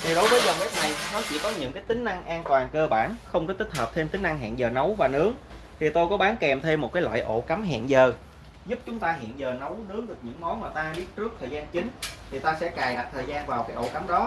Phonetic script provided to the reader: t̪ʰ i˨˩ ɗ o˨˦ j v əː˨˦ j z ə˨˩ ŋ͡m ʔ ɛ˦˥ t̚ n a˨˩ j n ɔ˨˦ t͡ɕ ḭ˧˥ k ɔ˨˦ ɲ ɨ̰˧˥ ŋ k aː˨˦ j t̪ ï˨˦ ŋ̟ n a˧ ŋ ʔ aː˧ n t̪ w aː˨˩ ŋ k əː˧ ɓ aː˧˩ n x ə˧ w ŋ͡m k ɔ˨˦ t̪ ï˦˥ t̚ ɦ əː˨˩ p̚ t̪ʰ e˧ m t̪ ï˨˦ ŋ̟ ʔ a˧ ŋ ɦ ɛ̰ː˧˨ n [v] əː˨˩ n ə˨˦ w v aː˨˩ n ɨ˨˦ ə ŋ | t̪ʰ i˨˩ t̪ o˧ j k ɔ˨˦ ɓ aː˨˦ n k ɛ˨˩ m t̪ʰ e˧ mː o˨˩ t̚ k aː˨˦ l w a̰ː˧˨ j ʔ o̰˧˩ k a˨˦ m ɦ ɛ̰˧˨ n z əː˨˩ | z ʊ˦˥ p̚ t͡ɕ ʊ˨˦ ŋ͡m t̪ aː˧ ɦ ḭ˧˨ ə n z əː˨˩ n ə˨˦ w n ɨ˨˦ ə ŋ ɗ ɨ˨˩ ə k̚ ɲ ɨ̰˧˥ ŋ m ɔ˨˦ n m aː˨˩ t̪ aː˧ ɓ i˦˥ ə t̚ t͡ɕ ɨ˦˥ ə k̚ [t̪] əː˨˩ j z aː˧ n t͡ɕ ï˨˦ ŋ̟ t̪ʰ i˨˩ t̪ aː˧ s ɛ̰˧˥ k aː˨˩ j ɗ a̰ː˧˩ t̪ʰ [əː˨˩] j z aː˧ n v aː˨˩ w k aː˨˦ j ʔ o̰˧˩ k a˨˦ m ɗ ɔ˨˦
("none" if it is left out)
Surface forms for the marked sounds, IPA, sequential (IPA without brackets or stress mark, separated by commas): z, t̪ʰ, əː˨˩